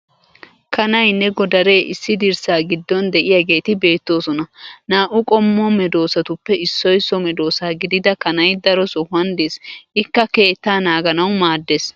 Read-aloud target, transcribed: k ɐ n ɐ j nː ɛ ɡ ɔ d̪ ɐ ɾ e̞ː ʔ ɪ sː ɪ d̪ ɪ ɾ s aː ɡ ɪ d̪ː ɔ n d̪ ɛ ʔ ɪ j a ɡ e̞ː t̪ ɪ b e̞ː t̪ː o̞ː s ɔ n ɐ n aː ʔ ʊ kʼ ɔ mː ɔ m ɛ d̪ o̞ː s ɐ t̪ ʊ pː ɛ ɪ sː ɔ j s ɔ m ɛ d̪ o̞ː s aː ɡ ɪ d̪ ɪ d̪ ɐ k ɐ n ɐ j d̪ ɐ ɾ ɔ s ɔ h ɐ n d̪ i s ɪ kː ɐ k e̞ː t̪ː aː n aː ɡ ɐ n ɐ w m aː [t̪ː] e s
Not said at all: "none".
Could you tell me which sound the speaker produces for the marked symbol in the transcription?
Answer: d̪ː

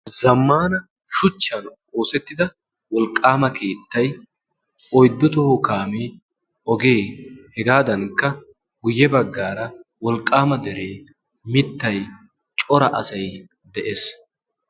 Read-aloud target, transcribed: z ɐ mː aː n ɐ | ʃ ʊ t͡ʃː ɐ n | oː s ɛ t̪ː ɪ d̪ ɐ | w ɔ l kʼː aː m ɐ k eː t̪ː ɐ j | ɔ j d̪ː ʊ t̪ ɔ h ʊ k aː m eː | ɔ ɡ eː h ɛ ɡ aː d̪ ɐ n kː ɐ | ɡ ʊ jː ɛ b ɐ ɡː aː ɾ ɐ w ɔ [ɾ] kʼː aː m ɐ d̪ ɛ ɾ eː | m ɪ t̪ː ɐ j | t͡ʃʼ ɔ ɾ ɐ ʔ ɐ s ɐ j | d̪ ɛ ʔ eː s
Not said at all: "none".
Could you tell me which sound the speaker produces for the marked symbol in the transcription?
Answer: l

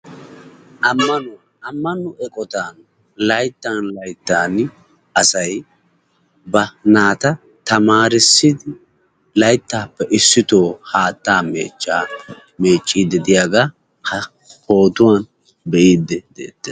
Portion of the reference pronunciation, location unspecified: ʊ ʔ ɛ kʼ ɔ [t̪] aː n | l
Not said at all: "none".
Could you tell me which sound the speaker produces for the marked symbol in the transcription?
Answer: t̪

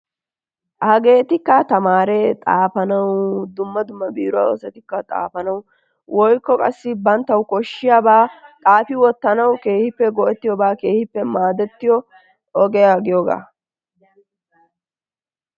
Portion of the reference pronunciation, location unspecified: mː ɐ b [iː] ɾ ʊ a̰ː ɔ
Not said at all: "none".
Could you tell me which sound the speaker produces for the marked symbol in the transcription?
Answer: iː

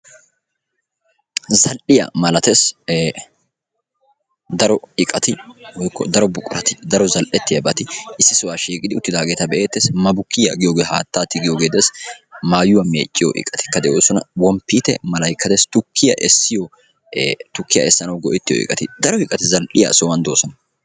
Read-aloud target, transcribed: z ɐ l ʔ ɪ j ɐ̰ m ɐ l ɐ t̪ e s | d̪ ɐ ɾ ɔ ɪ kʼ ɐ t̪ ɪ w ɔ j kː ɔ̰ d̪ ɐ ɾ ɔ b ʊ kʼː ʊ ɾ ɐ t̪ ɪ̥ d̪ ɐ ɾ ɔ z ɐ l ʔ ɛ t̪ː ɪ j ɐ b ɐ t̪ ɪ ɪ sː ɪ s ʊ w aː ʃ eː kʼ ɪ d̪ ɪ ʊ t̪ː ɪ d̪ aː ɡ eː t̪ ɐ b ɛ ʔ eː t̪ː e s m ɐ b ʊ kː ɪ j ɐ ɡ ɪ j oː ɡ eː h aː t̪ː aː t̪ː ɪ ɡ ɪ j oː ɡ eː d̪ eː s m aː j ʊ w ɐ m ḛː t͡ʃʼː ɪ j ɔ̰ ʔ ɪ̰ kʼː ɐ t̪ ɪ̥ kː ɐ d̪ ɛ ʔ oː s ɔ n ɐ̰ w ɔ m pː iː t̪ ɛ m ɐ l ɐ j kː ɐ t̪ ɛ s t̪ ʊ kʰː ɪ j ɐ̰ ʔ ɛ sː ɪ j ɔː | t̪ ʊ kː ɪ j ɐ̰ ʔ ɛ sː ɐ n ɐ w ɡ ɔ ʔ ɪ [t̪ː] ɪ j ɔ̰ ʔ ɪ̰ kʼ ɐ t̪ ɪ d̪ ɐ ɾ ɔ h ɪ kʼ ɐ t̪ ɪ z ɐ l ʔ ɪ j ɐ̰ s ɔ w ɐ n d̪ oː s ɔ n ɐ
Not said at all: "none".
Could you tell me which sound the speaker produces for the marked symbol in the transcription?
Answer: t̪ː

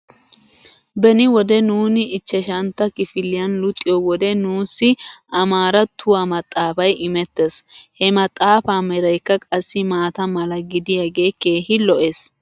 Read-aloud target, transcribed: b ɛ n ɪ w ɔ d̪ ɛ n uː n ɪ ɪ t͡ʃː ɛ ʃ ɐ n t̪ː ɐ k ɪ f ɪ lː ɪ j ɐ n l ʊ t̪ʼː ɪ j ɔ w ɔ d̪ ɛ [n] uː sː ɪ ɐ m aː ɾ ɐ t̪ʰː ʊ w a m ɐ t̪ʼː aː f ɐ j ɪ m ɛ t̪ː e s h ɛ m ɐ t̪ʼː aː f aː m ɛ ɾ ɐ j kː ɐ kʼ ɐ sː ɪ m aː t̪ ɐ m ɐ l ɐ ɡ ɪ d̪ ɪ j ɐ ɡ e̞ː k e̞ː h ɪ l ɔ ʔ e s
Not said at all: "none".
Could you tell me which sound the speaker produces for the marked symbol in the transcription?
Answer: n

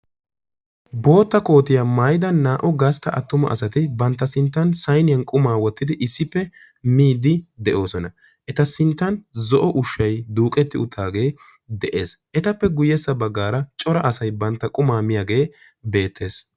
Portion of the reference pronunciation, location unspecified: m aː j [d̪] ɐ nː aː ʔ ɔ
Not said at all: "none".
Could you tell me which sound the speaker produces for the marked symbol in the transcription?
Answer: d̪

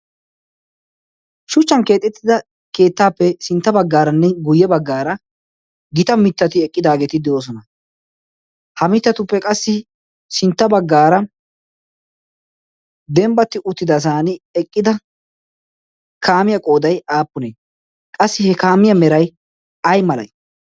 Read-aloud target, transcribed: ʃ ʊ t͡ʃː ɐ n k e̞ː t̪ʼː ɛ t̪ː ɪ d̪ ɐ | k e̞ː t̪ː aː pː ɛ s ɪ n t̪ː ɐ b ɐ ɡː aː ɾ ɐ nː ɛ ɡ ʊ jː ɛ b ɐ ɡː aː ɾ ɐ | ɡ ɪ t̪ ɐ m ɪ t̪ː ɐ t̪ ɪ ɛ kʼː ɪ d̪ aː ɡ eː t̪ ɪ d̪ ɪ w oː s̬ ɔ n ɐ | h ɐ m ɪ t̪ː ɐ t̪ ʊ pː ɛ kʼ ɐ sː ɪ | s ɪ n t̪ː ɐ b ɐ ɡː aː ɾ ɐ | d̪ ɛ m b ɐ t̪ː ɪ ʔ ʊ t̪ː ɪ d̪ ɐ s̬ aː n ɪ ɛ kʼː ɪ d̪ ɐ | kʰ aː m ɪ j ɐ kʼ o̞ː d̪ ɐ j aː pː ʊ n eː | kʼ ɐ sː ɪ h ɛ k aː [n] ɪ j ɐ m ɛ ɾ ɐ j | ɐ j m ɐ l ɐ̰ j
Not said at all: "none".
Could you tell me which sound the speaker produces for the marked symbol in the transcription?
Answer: m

